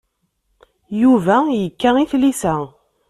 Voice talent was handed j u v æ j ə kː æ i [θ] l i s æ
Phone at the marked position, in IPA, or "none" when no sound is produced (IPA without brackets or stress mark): θ